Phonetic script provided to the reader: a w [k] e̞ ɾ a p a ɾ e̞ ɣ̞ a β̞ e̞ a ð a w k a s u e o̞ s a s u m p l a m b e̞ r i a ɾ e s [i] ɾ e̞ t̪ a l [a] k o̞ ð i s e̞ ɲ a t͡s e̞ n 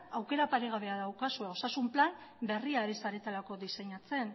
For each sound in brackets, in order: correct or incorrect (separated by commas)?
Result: correct, incorrect, correct